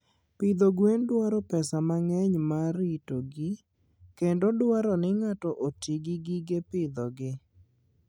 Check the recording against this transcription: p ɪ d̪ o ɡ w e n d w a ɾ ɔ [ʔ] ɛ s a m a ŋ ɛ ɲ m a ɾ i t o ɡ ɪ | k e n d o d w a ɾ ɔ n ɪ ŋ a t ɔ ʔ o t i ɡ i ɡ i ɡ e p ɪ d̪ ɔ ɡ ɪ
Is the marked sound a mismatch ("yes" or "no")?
yes